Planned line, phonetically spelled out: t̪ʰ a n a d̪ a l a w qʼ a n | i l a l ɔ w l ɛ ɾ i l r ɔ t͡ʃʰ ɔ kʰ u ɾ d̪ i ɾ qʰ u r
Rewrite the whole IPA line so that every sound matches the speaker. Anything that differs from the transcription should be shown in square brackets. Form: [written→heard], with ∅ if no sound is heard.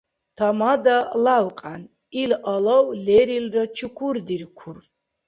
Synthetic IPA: t̪ʰ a [n→m] a d̪ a l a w qʼ a n | i l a l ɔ w l ɛ ɾ i l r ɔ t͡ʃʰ [ɔ→u] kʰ u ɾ d̪ i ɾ [qʰ→kʰ] u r